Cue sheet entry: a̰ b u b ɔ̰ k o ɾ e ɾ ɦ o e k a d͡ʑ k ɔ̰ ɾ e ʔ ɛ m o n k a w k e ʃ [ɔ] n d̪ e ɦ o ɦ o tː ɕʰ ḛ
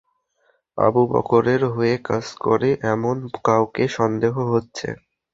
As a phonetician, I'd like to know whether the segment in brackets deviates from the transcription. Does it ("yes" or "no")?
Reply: no